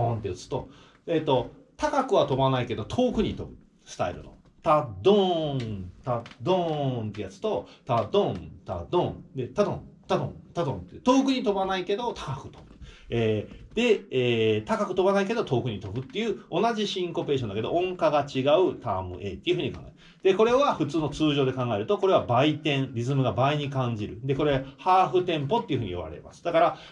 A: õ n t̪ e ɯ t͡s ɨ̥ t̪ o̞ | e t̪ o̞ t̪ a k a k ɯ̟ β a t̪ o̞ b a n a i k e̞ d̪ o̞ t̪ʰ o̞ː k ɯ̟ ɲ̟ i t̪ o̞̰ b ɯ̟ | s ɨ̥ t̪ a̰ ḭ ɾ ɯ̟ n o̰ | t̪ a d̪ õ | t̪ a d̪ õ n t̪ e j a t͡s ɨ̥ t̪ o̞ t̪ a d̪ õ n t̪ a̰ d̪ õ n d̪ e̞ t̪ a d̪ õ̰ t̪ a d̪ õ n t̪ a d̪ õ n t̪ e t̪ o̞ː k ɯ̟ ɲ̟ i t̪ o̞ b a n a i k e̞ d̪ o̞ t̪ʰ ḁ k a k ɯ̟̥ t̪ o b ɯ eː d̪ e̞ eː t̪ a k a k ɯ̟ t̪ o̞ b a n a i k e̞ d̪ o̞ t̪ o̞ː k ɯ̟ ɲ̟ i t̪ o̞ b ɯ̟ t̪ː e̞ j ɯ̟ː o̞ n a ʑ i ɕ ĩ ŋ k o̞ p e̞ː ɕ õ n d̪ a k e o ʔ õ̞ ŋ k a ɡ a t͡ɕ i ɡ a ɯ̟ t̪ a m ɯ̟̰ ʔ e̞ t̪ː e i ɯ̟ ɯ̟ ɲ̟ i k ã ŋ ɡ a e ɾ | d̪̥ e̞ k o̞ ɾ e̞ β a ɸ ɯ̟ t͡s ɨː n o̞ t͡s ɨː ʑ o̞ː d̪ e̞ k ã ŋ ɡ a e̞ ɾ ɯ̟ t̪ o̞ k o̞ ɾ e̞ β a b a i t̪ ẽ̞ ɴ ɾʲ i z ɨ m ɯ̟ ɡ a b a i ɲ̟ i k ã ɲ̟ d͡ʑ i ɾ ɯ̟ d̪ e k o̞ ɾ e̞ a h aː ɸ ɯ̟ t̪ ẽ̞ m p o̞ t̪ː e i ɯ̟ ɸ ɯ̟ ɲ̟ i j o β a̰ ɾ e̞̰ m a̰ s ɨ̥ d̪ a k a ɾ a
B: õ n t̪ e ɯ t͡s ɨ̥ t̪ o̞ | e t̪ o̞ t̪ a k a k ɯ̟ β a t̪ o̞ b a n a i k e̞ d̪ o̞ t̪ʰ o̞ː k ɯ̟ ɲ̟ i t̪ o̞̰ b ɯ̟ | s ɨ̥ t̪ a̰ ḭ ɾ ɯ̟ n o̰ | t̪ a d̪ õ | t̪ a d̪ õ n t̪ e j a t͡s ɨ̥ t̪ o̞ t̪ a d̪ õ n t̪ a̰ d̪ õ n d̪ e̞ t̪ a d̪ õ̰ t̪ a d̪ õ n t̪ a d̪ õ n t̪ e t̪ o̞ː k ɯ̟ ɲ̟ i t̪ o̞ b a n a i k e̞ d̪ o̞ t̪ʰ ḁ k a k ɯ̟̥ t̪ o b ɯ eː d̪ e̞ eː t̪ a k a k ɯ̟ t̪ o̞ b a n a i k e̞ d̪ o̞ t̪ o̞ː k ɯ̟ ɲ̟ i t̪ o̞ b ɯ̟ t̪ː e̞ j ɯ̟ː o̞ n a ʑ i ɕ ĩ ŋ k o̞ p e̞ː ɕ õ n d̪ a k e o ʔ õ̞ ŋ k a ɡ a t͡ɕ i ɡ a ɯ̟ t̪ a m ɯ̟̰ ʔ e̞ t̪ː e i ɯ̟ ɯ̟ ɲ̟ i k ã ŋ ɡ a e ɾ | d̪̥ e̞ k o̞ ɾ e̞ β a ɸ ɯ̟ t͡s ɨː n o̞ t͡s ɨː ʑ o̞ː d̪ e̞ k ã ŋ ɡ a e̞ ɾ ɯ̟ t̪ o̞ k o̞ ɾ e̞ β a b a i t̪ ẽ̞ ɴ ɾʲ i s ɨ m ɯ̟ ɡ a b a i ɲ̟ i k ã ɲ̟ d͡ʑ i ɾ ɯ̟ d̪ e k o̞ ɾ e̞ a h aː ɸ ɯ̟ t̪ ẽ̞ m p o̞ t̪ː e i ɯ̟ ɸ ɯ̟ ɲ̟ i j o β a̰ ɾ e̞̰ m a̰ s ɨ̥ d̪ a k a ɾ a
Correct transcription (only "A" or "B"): A